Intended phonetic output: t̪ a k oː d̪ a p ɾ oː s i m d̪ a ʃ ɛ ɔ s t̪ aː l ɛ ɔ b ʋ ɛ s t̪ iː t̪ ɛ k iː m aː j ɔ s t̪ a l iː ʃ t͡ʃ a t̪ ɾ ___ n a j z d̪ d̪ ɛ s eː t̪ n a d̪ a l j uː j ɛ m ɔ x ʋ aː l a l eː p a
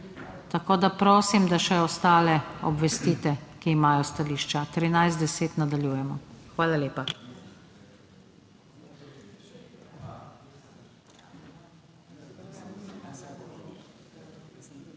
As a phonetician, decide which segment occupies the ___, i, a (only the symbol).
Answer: i